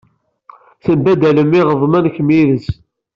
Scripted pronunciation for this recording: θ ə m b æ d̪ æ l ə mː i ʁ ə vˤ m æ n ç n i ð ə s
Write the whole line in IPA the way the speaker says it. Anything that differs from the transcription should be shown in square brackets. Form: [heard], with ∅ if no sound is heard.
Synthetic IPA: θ ə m b æ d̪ æ l ə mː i ʁ ə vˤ m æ n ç [m] i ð ə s